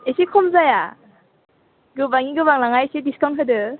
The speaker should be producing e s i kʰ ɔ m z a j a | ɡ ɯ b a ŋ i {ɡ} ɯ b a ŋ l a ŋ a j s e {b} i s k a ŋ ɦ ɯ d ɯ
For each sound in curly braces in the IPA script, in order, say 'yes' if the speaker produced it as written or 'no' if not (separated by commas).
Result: yes, no